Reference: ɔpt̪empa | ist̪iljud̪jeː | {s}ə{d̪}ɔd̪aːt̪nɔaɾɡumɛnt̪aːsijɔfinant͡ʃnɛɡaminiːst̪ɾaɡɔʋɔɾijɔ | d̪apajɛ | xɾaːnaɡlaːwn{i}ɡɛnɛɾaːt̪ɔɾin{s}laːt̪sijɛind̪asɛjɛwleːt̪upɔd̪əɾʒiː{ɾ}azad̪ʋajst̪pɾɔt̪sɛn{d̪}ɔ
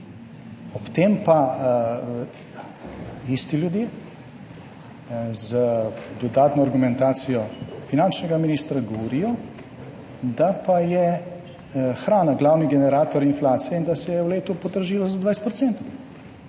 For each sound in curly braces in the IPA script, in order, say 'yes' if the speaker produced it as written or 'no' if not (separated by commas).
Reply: no, yes, yes, no, no, no